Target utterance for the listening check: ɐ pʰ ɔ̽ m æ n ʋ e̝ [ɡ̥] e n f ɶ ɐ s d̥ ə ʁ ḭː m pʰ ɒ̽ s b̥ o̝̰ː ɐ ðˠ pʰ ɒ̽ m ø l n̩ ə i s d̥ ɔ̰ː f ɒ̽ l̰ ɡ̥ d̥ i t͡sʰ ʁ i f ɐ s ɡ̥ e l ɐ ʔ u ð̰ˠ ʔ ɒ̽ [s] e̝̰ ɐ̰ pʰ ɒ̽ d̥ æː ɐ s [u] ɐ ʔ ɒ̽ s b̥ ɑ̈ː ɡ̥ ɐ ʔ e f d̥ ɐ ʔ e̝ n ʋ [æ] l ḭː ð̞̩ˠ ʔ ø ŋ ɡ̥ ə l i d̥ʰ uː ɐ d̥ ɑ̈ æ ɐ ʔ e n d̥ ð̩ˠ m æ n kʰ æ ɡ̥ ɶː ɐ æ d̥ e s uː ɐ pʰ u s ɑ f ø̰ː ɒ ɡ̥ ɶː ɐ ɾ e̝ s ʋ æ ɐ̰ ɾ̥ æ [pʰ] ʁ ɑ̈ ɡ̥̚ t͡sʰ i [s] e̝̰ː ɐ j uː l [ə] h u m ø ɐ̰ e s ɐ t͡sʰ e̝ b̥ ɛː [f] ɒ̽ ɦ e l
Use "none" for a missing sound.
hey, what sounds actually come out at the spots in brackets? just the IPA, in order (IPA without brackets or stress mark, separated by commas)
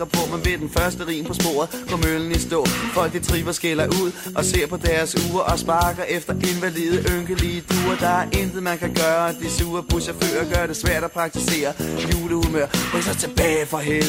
d̥, s, uː, æ, pʰ, s, ə, f